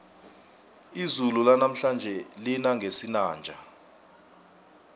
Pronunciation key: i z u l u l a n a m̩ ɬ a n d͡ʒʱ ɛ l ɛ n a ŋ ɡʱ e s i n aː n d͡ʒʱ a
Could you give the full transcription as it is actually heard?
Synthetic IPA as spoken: i z u l u l a n a m̩ ɬ a n d͡ʒʱ ɛ l i n a ŋ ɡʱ e s i n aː n d͡ʒʱ a